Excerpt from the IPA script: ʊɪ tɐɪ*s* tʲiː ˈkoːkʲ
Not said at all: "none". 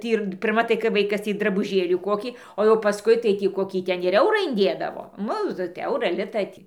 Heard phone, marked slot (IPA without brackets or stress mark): none